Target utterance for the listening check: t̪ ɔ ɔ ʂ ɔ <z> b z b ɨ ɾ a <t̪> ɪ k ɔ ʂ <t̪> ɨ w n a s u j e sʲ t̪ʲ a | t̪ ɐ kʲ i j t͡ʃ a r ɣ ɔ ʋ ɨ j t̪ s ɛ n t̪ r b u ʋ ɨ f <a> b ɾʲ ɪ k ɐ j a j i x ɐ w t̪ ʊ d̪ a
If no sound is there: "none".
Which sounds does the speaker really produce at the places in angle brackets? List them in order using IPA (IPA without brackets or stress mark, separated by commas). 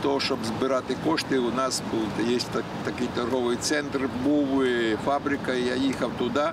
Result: none, t̪, t̪, a